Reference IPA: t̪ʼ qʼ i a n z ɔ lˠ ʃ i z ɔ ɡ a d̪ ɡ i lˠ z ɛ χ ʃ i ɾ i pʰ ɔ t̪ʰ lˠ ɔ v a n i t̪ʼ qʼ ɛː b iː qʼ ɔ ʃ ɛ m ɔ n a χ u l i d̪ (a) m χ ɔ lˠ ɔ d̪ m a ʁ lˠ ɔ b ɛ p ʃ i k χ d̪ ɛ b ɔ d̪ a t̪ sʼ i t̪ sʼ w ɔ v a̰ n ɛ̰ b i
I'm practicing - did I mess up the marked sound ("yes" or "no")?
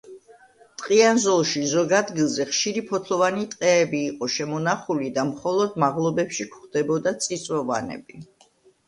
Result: no